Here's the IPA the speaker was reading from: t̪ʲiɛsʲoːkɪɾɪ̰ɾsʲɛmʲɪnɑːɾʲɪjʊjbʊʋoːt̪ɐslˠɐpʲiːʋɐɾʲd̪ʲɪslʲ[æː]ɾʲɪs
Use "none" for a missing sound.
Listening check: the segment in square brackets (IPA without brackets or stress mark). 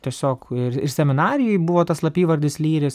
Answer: iː